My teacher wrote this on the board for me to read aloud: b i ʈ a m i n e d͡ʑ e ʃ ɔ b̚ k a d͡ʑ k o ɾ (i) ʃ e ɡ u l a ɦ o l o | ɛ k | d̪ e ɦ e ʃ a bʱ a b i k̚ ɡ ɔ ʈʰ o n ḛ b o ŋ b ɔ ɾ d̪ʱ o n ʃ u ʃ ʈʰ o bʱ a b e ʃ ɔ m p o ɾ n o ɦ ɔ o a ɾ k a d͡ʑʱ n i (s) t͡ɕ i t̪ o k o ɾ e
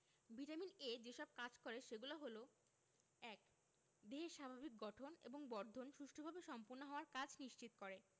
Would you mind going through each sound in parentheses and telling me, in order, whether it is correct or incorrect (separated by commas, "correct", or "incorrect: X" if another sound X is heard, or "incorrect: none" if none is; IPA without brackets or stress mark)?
incorrect: e, incorrect: ʃ